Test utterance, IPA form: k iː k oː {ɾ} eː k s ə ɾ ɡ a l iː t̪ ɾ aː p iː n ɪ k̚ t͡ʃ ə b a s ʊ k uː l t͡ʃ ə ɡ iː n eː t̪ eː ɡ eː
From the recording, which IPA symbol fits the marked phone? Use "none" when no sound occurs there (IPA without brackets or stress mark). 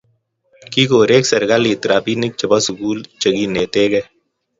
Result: ɾ